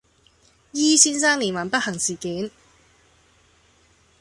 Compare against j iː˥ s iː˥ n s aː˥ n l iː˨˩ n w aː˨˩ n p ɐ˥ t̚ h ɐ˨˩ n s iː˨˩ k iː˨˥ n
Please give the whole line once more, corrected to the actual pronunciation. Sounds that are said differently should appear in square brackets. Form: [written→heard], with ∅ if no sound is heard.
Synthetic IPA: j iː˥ s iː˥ n s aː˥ [n→ŋ] l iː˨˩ n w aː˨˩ n p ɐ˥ t̚ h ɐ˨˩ [n→ŋ] s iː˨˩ k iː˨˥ n